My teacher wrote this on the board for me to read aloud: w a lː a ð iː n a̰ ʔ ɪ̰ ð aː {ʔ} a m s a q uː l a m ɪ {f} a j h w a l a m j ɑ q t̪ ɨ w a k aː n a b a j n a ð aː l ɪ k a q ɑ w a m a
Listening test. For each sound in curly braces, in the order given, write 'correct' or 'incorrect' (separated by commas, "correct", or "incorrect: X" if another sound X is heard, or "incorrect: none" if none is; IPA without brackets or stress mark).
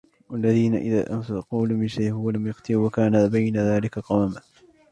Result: correct, incorrect: ʃ